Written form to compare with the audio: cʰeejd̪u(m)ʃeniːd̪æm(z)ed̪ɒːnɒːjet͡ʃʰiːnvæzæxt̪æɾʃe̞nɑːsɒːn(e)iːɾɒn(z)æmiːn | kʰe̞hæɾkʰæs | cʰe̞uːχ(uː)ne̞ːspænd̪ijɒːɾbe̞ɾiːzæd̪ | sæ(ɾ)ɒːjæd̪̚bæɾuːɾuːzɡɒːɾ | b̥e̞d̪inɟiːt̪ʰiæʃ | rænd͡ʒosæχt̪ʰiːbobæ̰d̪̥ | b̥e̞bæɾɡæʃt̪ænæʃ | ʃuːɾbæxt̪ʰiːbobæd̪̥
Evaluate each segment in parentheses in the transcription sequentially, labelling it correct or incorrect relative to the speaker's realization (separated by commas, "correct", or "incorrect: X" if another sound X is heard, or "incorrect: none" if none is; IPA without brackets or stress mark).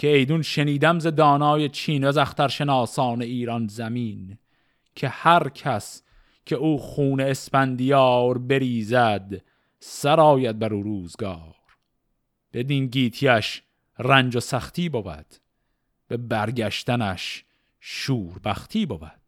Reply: incorrect: n, correct, correct, correct, correct, correct